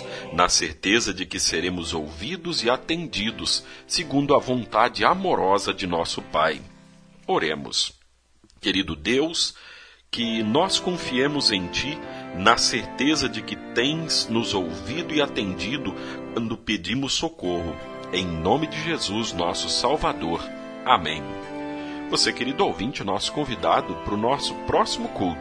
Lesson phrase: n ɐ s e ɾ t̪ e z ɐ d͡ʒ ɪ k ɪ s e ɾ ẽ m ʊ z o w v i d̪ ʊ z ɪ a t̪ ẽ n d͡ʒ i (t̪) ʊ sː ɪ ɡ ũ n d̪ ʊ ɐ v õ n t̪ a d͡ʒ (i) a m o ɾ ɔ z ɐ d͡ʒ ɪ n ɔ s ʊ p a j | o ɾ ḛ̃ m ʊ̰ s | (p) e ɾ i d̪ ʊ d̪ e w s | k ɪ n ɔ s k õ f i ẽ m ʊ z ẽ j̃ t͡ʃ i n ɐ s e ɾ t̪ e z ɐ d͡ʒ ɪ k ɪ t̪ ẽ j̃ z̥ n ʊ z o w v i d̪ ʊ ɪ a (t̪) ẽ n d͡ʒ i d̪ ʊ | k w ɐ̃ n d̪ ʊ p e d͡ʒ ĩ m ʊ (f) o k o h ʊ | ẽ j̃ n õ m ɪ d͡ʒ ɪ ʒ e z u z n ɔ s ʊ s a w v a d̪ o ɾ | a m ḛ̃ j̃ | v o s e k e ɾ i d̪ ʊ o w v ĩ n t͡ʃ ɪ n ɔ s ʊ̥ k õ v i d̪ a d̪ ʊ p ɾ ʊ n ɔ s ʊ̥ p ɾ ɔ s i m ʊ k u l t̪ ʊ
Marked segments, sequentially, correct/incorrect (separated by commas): incorrect, incorrect, incorrect, correct, incorrect